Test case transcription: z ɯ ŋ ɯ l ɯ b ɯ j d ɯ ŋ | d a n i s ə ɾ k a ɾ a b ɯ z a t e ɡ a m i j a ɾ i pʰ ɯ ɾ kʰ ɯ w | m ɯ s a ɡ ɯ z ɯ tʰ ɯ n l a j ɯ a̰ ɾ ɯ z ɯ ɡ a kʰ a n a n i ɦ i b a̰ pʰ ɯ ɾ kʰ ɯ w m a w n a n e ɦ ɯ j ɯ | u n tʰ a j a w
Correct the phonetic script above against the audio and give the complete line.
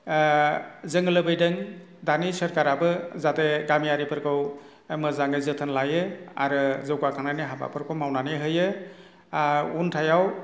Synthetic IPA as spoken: z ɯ ŋ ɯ l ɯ b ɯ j d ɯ ŋ | d a n i s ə ɾ k a ɾ a b ɯ z a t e ɡ a m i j a ɾ i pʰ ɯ ɾ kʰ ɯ w | m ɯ z a ŋ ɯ z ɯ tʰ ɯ n l a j ɯ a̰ ɾ ɯ z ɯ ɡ a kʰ a n a n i ɦ a b a̰ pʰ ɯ ɾ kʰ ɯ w m a w n a n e ɦ ɯ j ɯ | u n tʰ a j a w

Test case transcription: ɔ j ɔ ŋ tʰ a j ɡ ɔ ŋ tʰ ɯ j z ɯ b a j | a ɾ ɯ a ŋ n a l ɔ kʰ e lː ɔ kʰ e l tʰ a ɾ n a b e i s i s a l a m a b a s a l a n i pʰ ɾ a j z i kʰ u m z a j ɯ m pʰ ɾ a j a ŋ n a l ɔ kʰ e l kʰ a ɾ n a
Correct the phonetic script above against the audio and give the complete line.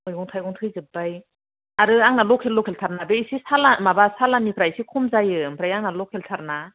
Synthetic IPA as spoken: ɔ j ɔ ŋ tʰ a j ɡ ɔ ŋ tʰ ɯ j z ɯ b a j | a ɾ ɯ a ŋ n a l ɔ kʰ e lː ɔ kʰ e l tʰ a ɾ n a b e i s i s a l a m a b a s a l a n i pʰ ɾ a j s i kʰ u m z a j ɯ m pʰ ɾ a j a ŋ n a l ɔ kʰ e l tʰ a ɾ n a

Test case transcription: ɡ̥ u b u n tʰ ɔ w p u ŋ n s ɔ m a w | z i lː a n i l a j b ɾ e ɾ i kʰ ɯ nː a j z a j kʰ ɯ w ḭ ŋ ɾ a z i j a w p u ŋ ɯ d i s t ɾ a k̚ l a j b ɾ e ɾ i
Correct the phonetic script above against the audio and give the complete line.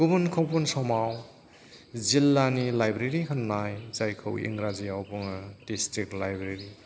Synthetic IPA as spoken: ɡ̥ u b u n kʰ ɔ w p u n s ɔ m a w | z i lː a n i l a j b ɾ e ɾ i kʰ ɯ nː a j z a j kʰ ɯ w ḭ ŋ ɾ a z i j a w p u ŋ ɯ d i s t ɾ i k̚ l a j b ɾ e ɾ i

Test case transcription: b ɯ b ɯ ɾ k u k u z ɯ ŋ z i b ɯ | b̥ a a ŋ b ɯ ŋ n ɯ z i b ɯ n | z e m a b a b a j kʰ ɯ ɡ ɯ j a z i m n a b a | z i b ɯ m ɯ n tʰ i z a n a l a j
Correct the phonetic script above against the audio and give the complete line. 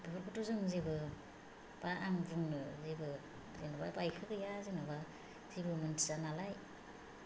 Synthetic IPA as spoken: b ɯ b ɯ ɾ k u t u z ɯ ŋ z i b ɯ | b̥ a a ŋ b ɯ ŋ n ɯ z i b ɯ | z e n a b a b a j kʰ ɯ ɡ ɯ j a z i n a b a | z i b ɯ m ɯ n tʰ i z a n a l a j

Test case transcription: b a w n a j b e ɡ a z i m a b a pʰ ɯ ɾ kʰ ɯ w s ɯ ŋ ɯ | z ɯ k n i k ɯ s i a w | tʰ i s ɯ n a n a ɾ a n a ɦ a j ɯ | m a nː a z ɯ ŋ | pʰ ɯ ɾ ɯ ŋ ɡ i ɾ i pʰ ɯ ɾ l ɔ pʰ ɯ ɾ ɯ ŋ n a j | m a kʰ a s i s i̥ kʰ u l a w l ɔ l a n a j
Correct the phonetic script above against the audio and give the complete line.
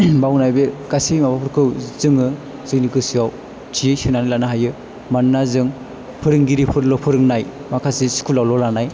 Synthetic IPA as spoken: b a w n a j b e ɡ a s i m a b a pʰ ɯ ɾ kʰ ɯ w z ɯ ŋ ɯ | z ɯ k n i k ɯ s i a w | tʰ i s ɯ n a n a l a n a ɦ a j ɯ | m a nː a z ɯ ŋ | pʰ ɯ ɾ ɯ ŋ ɡ i ɾ i pʰ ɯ ɾ l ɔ pʰ ɯ ɾ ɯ ŋ n a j | m a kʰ a s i s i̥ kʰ u l a w l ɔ l a n a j

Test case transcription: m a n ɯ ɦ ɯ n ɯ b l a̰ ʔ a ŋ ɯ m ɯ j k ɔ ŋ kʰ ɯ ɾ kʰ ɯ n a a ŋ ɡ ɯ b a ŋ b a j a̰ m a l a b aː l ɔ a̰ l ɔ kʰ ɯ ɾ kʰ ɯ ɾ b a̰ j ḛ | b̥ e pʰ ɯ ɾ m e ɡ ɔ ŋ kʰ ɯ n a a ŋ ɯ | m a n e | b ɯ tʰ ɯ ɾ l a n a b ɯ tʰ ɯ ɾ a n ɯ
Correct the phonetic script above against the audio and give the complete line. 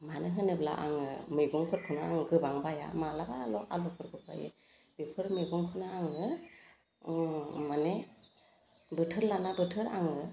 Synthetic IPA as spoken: m a n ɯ ɦ ɯ n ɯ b l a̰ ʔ a ŋ ɯ m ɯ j ɡ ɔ ŋ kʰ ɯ ɾ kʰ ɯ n a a ŋ ɡ ɯ b a ŋ b a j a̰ m a l a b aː l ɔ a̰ l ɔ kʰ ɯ ɾ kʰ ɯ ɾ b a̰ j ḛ | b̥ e pʰ ɯ ɾ m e ɡ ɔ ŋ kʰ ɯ n a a ŋ ɯ | m a n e | b ɯ tʰ ɯ ɾ l a n a b ɯ tʰ ɯ ɾ a ŋ ɯ

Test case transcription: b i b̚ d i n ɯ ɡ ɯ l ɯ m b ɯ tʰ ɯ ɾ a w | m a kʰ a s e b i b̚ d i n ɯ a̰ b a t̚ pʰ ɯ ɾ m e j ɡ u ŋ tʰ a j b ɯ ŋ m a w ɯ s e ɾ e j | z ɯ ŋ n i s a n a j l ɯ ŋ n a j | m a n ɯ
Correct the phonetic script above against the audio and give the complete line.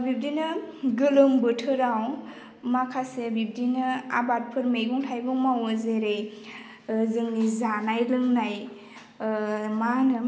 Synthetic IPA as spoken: b i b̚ d i n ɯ ɡ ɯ l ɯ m b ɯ tʰ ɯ ɾ a w | m a kʰ a s e b i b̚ d i n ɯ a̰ b a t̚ pʰ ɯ ɾ m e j ɡ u ŋ tʰ a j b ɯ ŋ m a w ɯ z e ɾ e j | z ɯ ŋ n i z a n a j l ɯ ŋ n a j | m a n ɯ

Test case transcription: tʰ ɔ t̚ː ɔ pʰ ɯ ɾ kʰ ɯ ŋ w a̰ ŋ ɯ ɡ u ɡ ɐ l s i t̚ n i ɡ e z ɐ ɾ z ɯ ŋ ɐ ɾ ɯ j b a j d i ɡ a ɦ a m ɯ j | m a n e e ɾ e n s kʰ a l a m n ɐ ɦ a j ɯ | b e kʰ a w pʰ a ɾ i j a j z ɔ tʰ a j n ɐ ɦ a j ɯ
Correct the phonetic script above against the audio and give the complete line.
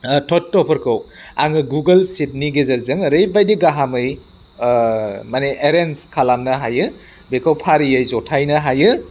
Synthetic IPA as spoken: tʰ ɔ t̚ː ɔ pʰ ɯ ɾ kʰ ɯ w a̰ ŋ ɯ ɡ u ɡ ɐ l s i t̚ n i ɡ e z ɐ ɾ z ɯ ŋ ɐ ɾ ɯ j b a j d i ɡ a ɦ a m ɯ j | m a n e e ɾ e n s kʰ a l a m n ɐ ɦ a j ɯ | b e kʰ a w pʰ a ɾ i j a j z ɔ tʰ a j n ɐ ɦ a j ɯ

